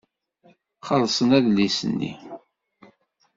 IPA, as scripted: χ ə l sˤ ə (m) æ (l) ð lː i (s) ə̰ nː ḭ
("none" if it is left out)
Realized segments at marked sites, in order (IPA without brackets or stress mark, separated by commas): n, none, s